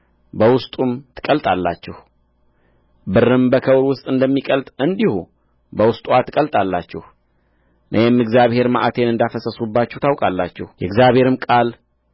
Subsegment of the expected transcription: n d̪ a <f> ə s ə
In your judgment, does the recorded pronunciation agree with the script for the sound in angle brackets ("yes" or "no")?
yes